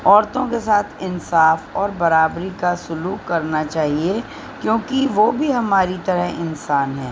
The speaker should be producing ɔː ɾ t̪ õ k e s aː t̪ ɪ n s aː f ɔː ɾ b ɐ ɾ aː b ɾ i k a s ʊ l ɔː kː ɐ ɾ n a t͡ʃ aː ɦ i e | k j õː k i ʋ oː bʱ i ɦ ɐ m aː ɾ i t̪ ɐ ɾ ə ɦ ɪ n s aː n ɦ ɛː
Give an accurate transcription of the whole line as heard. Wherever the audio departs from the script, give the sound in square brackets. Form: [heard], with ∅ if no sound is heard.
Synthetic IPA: ɔː ɾ t̪ õ k e s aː [t̪ʰ] ɪ n s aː f ɔː ɾ b ɐ ɾ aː b ɾ i k a s ʊ l [uː] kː ɐ ɾ n a t͡ʃ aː ɦ i e | k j õː k i ʋ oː bʱ i ɦ ɐ m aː ɾ i t̪ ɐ ɾ ə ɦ ɪ n s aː n ɦ ɛː

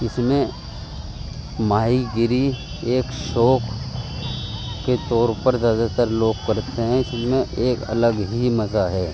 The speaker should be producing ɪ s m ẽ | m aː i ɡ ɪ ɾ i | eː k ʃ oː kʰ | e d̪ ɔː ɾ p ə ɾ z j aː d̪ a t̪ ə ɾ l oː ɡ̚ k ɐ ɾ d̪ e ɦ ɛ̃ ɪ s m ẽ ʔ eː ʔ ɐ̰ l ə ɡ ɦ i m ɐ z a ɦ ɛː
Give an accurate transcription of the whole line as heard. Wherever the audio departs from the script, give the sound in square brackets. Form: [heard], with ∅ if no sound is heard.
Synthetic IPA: ɪ s m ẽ | m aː i ɡ ɪ ɾ i | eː k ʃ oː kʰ | e [t̪] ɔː ɾ p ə ɾ z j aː d̪ a t̪ ə ɾ l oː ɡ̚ k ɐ ɾ [t̪] e ɦ ɛ̃ ɪ s m ẽ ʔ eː [k] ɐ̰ l ə ɡ ɦ i m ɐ z a ɦ ɛː

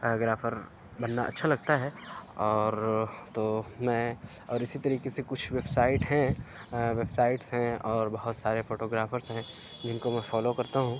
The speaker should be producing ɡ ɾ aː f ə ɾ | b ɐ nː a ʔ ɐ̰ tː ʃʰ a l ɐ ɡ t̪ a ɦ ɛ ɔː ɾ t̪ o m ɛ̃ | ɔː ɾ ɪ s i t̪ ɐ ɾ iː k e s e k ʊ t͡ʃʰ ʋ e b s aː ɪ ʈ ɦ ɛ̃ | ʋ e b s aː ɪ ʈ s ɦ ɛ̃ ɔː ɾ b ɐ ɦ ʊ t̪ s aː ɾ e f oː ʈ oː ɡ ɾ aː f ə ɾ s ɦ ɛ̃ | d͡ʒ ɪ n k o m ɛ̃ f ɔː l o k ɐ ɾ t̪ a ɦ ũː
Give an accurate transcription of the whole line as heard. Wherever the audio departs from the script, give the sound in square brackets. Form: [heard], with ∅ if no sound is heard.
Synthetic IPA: ɡ ɾ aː f ə ɾ | b ɐ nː a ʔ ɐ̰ tː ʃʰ a l ɐ ɡ t̪ a ɦ ɛ ɔː ɾ t̪ o m ɛ̃ | ɔː ɾ ɪ s i t̪ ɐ ɾ iː k e s e k ʊ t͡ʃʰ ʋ e b s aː ɪ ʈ ɦ ɛ̃ | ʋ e b s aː ɪ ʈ s ɦ ɛ̃ ɔː ɾ b ɐ ɦ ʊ t̪ s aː ɾ e f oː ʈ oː ɡ ɾ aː f ə ɾ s ɦ ɛ̃ | d͡ʒ ɪ n k o m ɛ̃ f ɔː l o k ɐ ɾ t̪ a ɦ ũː

